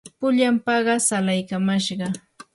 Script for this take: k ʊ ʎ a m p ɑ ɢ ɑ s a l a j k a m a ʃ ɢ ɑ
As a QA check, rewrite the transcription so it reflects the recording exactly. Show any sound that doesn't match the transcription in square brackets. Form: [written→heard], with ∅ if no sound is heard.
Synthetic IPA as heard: [k→p] ʊ ʎ a m p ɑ ɢ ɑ s a l a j k a m a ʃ ɢ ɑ